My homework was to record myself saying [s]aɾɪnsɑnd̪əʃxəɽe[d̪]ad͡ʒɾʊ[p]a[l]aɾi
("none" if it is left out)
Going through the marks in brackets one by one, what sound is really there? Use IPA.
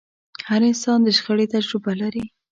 h, t̪, b, l

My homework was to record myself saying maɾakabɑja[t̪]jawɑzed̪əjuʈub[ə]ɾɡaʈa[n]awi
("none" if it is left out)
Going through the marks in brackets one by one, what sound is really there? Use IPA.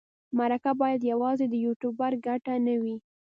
d̪, a, n

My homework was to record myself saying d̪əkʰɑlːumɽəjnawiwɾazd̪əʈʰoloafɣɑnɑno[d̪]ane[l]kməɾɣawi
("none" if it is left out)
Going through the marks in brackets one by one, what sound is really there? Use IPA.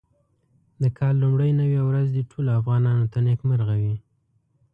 t̪, none

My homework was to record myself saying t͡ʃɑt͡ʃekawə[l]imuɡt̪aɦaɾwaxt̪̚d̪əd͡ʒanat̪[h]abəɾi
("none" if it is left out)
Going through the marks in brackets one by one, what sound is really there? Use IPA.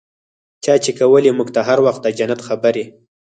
l, x

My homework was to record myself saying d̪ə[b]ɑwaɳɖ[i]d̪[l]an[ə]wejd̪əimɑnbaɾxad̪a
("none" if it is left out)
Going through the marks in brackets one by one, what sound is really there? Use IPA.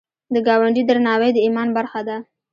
ɡ, i, ɾ, ɑ

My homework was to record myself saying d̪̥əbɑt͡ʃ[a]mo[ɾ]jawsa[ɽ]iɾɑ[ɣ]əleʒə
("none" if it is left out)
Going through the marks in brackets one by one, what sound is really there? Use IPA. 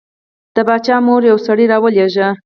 ɑ, ɾ, ɽ, w

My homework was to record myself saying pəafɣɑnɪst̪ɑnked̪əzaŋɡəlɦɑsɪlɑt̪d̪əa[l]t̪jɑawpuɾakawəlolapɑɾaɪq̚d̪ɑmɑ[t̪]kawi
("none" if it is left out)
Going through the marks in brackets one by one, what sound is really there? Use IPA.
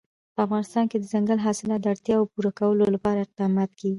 ɽ, t̪

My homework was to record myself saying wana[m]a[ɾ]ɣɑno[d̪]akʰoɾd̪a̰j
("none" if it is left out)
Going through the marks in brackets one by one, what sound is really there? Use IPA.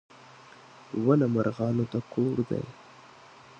m, ɾ, t̪

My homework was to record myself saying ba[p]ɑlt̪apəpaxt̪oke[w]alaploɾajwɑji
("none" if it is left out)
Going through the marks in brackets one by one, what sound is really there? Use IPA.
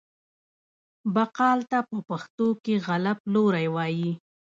q, ɣ

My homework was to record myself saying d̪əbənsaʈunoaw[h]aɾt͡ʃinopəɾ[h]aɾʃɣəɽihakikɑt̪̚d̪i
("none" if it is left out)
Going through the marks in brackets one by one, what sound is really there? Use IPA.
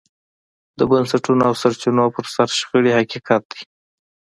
s, s

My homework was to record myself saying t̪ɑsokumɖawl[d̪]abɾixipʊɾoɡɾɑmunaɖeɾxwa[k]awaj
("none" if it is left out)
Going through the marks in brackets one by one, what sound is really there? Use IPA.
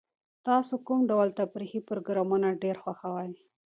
t̪, x

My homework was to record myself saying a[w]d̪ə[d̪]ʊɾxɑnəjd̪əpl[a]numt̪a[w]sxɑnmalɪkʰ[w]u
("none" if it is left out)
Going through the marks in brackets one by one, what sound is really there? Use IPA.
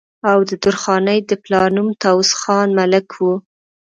w, d̪, ɑ, w, w

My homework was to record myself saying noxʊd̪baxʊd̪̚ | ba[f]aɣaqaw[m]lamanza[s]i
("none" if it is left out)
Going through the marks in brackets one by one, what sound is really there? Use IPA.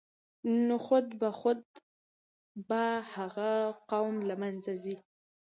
h, m, z

